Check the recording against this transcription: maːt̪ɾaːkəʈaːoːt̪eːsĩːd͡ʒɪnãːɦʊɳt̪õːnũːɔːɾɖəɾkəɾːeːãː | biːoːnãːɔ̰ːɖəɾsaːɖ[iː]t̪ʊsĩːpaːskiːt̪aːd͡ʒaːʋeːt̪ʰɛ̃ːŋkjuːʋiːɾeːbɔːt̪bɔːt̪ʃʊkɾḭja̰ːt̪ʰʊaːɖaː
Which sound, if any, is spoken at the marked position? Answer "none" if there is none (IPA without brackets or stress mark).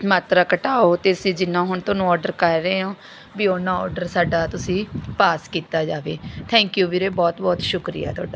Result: aː